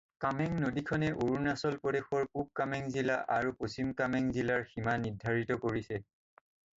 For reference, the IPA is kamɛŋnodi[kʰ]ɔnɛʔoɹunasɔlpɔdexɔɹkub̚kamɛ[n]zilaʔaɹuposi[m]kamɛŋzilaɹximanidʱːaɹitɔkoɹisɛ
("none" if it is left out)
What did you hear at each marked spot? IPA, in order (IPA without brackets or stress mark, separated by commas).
kʰ, ŋ, m